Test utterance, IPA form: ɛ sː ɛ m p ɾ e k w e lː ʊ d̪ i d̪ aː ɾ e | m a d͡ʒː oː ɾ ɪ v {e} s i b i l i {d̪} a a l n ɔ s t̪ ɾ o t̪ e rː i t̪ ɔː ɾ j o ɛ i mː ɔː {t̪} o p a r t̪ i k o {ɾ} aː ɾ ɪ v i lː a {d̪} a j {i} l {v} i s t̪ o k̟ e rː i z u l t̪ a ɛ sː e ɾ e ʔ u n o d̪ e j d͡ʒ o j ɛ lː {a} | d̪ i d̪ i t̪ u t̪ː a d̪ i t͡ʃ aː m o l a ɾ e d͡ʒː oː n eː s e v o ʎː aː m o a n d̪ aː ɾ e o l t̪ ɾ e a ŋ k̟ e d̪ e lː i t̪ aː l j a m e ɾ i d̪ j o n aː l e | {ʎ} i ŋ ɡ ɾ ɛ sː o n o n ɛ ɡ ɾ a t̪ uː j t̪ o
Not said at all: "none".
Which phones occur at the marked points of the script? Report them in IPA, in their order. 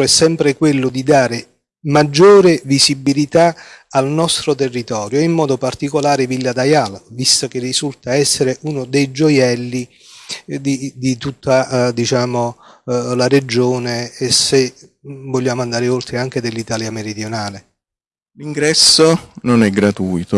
i, t̪, d̪, l, d̪, a, v, i, l

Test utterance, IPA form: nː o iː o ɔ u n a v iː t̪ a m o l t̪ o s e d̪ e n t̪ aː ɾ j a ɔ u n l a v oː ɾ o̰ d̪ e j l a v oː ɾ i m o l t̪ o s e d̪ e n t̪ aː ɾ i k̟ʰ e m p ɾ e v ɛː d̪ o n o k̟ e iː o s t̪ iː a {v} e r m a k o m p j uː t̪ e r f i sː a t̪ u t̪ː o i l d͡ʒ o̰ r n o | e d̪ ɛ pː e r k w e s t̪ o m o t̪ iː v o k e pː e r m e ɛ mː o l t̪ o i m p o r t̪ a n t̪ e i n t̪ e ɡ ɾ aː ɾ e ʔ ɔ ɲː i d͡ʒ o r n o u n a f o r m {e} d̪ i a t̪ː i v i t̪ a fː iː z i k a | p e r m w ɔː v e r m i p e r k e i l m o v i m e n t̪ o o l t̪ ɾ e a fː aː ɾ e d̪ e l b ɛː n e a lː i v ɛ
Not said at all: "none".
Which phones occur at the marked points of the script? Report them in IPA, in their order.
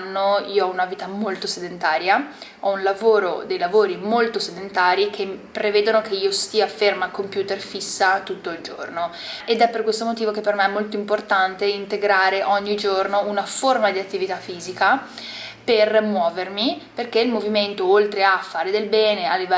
f, a

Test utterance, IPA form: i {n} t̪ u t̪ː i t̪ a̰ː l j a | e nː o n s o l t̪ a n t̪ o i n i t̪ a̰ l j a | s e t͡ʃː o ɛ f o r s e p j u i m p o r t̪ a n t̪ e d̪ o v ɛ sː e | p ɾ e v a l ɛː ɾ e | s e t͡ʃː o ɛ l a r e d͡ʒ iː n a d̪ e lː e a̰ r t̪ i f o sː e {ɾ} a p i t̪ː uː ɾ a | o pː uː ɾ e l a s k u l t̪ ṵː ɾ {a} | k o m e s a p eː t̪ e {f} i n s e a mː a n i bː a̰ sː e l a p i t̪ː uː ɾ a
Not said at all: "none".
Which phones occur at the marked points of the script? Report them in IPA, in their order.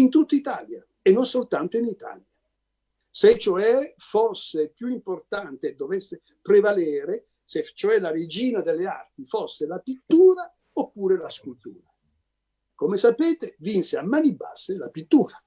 n, l, a, v

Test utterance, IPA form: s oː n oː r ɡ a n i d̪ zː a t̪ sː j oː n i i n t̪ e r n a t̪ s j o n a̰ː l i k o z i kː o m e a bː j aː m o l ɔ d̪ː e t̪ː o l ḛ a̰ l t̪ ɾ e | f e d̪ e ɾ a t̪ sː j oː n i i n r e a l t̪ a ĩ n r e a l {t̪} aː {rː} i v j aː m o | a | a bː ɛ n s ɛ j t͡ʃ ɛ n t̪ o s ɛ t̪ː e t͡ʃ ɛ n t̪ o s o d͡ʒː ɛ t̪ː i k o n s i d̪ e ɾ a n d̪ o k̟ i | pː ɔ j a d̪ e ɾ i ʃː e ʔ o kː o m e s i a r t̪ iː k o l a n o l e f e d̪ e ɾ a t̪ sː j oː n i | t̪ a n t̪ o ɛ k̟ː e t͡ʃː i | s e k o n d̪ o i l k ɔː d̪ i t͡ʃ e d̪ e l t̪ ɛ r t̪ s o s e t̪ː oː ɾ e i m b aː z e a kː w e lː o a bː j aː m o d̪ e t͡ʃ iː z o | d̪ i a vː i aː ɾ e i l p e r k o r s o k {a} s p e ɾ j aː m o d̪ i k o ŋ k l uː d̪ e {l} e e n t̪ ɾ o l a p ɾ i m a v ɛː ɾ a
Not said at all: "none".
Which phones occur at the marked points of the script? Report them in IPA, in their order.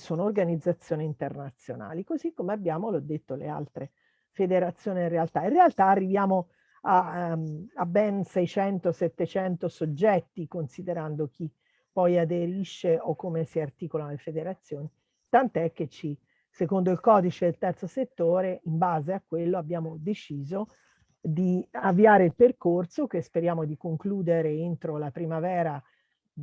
t̪, rː, e, ɾ

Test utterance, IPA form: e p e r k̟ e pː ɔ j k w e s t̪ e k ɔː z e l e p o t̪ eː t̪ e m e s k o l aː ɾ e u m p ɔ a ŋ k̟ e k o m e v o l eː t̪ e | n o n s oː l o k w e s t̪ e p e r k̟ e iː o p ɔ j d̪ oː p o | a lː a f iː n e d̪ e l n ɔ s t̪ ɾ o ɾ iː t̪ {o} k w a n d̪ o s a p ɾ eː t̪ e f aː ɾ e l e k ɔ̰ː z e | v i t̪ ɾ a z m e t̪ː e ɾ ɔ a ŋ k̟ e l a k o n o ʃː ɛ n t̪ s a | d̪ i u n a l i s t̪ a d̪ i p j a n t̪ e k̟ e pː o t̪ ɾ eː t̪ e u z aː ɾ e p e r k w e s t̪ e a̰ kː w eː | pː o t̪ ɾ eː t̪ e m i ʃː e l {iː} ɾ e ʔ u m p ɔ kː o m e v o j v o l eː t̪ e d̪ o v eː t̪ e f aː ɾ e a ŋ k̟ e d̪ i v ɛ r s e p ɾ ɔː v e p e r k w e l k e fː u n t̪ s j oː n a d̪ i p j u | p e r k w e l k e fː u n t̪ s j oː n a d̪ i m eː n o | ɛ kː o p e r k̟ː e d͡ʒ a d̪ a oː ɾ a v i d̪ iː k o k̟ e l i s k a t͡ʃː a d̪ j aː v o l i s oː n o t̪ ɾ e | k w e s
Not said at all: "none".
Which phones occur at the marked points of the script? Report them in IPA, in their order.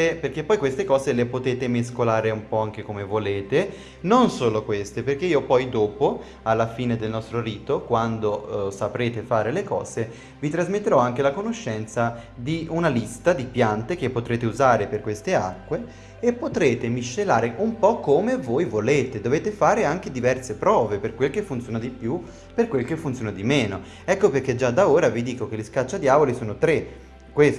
o, aː

